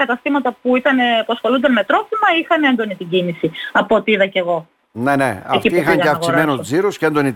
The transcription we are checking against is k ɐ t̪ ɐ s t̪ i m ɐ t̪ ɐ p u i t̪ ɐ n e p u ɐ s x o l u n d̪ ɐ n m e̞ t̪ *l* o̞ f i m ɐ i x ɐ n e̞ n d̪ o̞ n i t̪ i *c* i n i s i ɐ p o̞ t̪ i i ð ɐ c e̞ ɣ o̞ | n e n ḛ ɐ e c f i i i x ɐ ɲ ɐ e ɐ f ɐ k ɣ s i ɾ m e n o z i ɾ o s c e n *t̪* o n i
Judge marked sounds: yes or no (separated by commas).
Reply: no, no, no